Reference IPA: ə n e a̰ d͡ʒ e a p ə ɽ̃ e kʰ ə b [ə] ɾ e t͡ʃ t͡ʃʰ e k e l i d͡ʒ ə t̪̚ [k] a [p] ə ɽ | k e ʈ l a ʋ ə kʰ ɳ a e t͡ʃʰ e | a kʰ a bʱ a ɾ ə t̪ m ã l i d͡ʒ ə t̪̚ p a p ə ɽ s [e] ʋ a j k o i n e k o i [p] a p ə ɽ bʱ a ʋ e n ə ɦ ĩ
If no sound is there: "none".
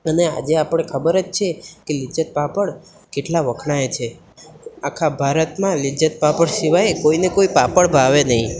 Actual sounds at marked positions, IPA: ə, p, p, i, p

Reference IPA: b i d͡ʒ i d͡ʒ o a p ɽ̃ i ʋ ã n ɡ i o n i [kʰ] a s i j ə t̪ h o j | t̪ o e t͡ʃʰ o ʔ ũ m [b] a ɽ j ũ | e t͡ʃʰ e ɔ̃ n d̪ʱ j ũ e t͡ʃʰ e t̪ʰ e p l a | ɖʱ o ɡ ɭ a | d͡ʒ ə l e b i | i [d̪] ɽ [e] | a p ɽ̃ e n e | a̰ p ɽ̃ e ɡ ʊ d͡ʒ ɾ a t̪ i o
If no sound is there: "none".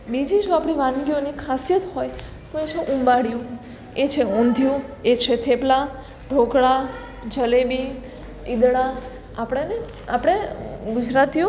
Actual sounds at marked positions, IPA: kʰ, b, d̪, a

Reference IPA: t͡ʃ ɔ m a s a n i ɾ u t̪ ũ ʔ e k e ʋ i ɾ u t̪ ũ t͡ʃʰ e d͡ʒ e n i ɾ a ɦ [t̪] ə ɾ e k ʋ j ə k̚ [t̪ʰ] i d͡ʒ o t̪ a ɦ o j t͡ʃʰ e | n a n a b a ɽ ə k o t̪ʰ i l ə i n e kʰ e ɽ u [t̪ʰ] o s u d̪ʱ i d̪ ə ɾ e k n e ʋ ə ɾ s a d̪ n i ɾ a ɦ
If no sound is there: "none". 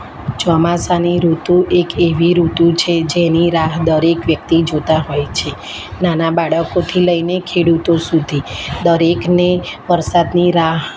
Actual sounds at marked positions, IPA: d̪, t̪, t̪

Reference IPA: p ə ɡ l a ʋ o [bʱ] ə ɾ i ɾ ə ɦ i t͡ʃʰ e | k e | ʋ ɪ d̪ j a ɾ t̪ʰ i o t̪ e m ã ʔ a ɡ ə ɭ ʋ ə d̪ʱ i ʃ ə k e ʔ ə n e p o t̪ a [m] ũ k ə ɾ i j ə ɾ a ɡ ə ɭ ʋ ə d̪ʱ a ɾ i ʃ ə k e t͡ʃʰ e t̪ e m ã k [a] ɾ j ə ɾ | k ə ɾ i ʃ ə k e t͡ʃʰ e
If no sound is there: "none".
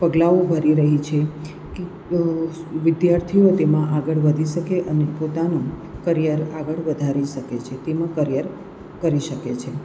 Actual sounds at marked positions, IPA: bʱ, n, ə

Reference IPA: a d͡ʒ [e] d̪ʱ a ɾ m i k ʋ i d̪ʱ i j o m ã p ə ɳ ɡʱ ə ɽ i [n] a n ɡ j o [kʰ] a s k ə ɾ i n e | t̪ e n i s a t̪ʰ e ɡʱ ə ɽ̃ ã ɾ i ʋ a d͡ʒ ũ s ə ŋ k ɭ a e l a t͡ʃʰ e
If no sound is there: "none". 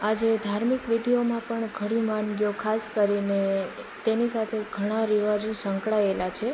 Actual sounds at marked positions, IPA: e, m, kʰ

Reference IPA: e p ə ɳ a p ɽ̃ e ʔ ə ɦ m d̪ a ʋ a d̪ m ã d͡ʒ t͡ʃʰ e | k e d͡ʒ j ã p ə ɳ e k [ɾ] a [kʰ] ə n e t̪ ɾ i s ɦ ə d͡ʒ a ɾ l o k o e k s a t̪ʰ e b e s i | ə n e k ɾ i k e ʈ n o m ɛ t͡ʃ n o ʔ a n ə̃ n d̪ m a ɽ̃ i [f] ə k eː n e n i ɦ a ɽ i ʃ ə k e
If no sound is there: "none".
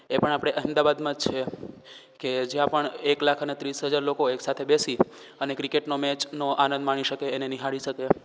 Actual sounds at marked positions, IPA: l, kʰ, ʃ

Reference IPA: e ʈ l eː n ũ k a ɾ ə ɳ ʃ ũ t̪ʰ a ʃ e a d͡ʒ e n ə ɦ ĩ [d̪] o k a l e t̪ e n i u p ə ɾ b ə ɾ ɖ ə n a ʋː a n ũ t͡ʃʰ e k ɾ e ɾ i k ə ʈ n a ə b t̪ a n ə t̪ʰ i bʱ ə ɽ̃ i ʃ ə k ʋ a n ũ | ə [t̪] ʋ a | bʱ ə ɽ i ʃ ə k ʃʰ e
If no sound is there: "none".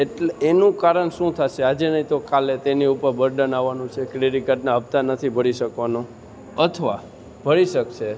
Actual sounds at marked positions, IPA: t̪, t̪ʰ

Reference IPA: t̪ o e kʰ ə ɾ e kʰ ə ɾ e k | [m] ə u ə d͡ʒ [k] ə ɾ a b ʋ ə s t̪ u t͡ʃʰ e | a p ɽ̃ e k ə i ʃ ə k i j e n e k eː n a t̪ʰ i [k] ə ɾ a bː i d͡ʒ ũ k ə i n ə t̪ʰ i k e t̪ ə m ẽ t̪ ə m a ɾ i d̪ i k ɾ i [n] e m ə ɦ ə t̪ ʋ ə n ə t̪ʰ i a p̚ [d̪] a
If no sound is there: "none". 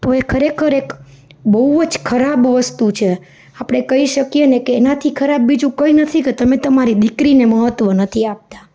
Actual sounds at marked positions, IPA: b, kʰ, kʰ, n, t̪

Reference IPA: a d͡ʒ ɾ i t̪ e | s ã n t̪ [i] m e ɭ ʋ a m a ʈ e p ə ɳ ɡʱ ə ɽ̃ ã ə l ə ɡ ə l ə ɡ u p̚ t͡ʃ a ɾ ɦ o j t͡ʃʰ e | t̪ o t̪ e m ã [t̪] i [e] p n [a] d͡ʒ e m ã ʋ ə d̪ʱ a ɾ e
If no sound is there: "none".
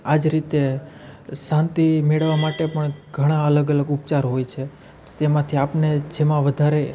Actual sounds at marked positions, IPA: i, t̪ʰ, a, e

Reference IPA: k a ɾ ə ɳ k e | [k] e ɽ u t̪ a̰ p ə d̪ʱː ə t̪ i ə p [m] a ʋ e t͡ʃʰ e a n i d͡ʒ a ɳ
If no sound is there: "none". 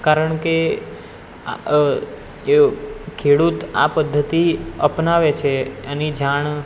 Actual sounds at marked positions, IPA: kʰ, n

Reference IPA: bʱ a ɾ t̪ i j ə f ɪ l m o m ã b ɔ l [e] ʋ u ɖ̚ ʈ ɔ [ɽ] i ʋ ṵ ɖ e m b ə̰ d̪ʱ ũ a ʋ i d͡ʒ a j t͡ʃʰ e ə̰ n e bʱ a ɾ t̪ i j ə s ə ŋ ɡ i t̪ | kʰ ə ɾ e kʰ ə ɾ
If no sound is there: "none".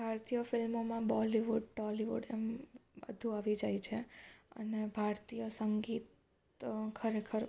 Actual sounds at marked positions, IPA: i, l

